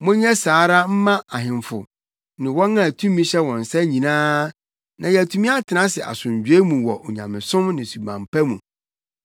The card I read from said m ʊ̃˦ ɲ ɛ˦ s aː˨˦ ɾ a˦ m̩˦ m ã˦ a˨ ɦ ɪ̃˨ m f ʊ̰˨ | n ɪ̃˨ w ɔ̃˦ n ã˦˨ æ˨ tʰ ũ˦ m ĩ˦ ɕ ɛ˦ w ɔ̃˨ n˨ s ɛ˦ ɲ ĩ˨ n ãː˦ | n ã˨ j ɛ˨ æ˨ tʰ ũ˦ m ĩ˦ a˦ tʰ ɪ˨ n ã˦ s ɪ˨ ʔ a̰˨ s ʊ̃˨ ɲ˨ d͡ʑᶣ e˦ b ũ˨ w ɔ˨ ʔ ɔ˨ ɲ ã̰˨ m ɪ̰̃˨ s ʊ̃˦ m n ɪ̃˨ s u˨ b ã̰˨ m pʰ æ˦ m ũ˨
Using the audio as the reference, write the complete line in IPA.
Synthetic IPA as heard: m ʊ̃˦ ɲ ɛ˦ s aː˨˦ ɾ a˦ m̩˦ m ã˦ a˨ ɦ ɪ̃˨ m f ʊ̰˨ | n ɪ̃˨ w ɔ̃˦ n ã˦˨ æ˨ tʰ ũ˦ m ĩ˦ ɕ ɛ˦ w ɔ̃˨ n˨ s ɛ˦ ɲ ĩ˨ n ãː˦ | n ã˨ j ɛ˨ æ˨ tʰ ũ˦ m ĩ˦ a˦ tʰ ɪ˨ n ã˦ s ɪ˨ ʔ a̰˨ s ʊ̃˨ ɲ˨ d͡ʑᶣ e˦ m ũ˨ w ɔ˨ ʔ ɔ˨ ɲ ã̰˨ m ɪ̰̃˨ s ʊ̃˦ m n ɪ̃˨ s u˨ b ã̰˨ m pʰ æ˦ m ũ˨